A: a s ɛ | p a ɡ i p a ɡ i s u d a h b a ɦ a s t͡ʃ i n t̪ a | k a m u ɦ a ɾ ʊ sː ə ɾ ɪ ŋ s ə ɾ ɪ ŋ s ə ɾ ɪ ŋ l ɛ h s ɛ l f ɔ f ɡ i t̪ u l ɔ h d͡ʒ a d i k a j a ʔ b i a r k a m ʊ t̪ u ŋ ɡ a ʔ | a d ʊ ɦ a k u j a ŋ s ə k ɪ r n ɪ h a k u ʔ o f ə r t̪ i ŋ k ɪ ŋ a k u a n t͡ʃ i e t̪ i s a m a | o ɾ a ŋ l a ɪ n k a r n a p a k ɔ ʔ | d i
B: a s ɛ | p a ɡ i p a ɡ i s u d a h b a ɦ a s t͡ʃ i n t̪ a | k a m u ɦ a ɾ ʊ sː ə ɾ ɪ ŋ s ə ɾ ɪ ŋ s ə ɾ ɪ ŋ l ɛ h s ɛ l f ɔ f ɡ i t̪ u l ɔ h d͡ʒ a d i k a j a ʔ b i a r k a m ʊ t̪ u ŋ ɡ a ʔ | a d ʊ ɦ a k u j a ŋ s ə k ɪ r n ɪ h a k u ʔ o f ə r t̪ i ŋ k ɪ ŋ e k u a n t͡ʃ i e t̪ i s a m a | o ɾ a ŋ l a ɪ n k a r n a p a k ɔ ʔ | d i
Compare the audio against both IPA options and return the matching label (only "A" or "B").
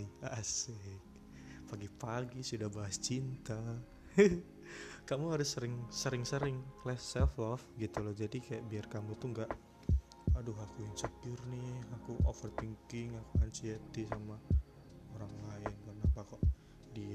A